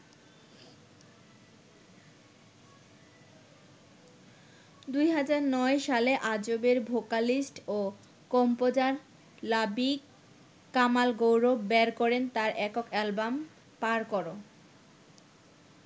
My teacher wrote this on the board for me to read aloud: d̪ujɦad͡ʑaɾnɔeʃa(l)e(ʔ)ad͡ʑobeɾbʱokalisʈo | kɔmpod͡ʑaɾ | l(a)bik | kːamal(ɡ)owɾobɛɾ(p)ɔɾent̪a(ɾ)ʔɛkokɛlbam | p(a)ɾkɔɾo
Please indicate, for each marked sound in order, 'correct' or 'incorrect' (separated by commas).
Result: correct, correct, correct, correct, incorrect, correct, correct